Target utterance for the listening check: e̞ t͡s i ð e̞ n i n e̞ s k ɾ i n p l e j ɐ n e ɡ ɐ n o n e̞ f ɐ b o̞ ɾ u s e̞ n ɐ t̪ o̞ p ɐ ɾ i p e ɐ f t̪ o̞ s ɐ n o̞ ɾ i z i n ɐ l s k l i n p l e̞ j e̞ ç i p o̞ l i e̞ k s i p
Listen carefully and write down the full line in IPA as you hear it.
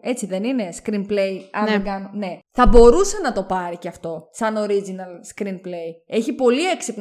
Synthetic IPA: e̞ t͡s i ð e̞ n i n e̞ s k ɾ i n p l e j ɐ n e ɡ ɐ n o n e̞ θ ɐ b o̞ ɾ u s e̞ n ɐ t̪ o̞ p ɐ ɾ i c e ɐ f t̪ o̞ s ɐ n o̞ ɾ i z i n ɐ l s k ɾ i n p l e̞ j e̞ ç i p o̞ l i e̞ k s i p